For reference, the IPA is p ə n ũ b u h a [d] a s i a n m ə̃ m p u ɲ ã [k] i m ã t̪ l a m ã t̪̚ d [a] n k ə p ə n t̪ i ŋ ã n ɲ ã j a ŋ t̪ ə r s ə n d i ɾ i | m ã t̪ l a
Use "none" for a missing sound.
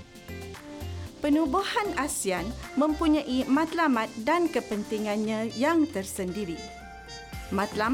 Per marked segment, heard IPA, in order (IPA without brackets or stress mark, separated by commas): n, ʔ, a